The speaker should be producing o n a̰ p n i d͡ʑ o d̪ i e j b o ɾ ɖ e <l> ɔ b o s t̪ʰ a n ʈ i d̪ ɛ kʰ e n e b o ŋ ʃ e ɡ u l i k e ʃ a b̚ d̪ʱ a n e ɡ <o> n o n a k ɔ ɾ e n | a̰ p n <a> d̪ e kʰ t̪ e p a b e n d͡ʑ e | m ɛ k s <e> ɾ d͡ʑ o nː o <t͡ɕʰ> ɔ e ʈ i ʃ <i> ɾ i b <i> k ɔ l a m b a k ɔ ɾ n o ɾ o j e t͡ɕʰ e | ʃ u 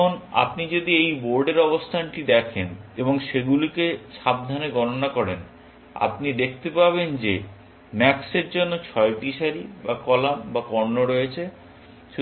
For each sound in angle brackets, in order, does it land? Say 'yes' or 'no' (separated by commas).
no, no, no, yes, yes, no, no